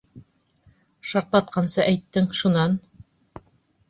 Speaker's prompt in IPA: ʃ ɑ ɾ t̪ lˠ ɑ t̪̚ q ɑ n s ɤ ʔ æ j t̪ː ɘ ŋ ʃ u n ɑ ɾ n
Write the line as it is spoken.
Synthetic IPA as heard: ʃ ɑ ɾ t̪ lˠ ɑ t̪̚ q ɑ n s ɤ ʔ æ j t̪ː ɘ ŋ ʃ u n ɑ n